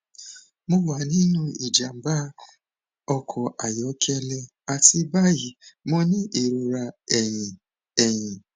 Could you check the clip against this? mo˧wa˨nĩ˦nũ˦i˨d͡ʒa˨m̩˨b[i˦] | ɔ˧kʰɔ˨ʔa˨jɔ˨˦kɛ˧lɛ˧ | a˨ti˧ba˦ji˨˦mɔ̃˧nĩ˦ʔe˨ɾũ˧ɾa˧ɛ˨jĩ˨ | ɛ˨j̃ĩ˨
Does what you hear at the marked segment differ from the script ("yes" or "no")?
yes